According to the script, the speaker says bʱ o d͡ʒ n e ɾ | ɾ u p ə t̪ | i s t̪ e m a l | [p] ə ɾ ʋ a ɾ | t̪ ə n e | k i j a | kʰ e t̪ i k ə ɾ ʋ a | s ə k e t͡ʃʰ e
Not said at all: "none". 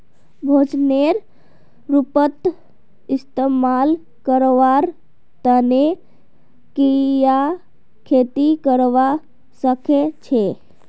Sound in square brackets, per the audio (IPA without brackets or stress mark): k